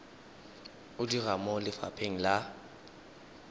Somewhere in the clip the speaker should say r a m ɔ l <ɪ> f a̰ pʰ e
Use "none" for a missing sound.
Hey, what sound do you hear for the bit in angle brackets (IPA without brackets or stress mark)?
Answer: ɪ